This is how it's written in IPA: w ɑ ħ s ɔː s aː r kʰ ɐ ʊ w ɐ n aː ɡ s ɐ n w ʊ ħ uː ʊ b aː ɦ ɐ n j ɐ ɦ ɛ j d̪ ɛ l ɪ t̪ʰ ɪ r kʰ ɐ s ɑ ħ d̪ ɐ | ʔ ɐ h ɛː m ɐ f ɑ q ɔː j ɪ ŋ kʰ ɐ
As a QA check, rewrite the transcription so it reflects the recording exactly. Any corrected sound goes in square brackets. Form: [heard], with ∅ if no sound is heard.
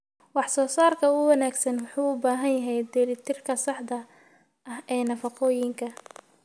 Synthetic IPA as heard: w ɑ ħ s ɔː s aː r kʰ ɐ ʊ w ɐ n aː ɡ s ɐ n w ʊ ħ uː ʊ b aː ɦ ɐ n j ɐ ɦ ɛ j d̪ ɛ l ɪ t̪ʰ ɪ r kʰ ɐ s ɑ ħ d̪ ɐ | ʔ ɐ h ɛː [n] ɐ f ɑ q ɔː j ɪ ŋ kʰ ɐ